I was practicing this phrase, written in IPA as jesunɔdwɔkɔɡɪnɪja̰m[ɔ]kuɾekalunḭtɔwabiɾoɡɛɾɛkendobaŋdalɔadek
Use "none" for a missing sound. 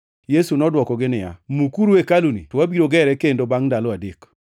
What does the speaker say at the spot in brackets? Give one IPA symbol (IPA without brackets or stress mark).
u